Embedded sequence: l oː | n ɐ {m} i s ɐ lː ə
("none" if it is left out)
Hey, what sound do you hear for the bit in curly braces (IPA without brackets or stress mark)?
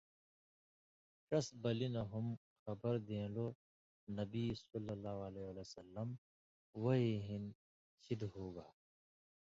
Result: b